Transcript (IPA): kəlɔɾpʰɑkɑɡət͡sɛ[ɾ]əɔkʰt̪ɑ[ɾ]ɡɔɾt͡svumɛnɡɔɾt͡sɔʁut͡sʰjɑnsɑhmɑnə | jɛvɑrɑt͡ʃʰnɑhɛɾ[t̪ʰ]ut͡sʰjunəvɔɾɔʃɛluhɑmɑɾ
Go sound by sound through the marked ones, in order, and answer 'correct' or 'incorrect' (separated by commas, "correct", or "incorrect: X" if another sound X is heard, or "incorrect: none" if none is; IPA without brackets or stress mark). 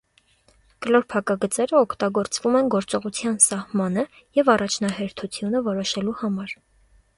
correct, incorrect: none, correct